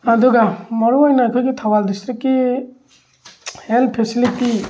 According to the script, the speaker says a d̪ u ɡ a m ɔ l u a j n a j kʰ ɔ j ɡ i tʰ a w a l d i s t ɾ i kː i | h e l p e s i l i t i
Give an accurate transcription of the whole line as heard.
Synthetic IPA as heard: a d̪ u ɡ a m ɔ ɾ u a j n a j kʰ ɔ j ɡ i tʰ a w a l d i s t ɾ i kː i | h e l pʰ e s i l i t i